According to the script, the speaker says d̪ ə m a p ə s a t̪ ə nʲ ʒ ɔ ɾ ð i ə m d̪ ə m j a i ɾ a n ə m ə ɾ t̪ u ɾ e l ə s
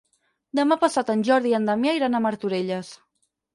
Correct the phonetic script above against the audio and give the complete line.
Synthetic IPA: d̪ ə m a p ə s a t̪ ə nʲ ʒ ɔ ɾ ð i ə n d̪ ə m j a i ɾ a n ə m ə ɾ t̪ u ɾ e ʎ ə s